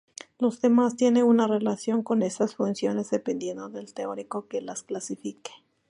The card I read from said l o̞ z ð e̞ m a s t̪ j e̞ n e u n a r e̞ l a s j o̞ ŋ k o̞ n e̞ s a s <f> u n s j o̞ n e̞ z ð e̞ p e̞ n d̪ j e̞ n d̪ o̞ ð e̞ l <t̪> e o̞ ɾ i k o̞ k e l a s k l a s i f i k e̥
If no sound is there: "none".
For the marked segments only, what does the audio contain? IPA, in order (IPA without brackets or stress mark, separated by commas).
f, t̪